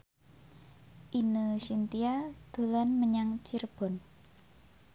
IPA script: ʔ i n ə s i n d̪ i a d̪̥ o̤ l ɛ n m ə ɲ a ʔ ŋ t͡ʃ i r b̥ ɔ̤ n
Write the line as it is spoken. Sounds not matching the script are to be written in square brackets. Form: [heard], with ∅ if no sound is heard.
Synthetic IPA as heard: ʔ i n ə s i n [t̪] i a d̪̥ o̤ l [a] n m ə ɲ a [∅] ŋ t͡ʃ i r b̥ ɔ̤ n